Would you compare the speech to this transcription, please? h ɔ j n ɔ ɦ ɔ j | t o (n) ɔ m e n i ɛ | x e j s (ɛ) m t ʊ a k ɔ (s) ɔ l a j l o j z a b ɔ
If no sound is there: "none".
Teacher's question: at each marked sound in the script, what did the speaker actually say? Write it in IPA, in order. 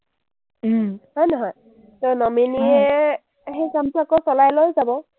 n, a, s

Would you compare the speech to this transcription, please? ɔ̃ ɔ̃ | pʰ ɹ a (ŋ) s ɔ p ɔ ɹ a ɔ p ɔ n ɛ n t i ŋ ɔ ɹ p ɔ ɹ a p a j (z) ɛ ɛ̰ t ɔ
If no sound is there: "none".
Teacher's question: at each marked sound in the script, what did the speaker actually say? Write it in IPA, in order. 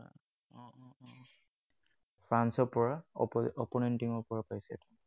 n, s

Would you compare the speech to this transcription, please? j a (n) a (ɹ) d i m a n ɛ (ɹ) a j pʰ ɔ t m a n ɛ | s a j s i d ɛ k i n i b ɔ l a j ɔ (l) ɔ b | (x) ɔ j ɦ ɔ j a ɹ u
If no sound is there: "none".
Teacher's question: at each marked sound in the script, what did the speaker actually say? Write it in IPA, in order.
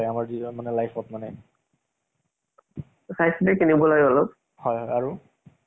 m, ɹ, l, l, h

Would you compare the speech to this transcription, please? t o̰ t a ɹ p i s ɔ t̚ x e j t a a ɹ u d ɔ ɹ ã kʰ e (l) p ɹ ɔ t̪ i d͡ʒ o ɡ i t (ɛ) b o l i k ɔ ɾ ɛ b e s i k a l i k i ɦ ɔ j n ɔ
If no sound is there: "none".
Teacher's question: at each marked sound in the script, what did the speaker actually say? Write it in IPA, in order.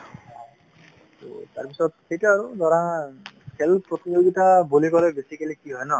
l, a

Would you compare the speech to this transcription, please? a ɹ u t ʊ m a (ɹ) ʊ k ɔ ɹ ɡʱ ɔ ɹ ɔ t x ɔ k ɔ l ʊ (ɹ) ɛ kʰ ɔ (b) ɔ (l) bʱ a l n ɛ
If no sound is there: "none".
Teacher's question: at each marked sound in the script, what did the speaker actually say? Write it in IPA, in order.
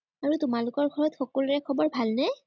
l, ɹ, b, ɹ

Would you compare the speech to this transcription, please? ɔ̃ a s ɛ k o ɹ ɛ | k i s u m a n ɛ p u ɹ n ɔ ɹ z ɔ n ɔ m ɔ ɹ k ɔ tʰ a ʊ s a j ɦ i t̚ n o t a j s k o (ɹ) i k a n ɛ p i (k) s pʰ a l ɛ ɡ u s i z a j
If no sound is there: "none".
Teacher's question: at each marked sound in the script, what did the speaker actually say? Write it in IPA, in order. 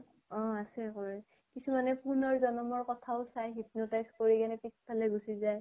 ɹ, k

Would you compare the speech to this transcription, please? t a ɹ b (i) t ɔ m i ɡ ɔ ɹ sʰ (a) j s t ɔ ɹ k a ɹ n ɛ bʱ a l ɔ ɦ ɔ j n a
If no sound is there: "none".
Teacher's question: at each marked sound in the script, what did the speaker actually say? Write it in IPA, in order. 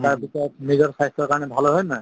i, a

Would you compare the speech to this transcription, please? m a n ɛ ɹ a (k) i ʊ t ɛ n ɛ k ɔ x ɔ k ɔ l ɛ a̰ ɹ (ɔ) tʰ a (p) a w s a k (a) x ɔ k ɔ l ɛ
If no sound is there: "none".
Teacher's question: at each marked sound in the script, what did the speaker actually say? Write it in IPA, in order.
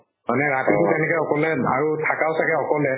t, u, k, ɛ

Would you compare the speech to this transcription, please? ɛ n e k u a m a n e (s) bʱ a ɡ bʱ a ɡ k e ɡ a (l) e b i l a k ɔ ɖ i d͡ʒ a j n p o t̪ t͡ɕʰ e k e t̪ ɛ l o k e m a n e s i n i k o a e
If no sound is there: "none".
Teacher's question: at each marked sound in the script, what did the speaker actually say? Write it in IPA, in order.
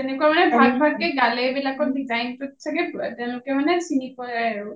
none, l

